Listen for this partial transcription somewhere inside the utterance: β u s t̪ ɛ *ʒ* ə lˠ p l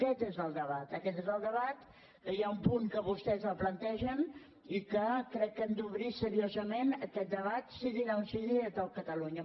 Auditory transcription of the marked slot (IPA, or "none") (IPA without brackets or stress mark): z